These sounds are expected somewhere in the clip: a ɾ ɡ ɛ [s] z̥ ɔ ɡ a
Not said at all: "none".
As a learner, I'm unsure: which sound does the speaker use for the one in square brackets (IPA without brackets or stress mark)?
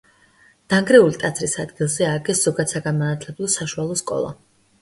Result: s